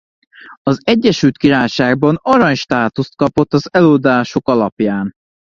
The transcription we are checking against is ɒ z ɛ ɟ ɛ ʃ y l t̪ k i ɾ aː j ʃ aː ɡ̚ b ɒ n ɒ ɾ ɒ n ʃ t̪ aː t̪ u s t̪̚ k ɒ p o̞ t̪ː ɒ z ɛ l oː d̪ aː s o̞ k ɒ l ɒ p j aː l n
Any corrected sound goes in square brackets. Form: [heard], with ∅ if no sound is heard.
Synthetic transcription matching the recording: ɒ z ɛ [ɟː] ɛ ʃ y l t̪ k i ɾ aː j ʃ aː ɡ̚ b ɒ n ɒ ɾ ɒ [ɲ] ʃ t̪ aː t̪ u s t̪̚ k ɒ p o̞ t̪ː ɒ z ɛ l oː d̪ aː [ʃ] o̞ k ɒ l ɒ p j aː [∅] n